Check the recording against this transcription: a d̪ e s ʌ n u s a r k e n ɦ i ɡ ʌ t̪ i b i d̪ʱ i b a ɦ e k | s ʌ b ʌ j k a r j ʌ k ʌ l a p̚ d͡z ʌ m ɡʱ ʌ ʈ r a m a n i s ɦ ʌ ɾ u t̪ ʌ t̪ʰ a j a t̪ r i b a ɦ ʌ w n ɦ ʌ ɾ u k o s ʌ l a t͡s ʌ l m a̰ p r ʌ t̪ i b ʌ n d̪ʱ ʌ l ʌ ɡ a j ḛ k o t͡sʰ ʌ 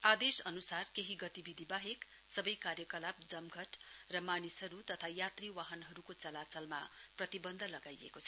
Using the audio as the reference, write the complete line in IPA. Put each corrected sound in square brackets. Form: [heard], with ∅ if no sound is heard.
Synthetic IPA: a d̪ e s ʌ n u s a r k e [∅] ɦ i ɡ ʌ t̪ i b i d̪ʱ i b a ɦ e k | s ʌ b ʌ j k a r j ʌ k ʌ l a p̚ d͡z ʌ m ɡʱ ʌ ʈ r [ʌ] m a n i s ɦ ʌ ɾ u t̪ ʌ t̪ʰ a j a t̪ r i [w] a ɦ ʌ [∅] n ɦ ʌ ɾ u k o [t͡s] ʌ l a t͡s ʌ l m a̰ p r ʌ t̪ i b ʌ n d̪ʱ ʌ l ʌ ɡ a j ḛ k o t͡sʰ ʌ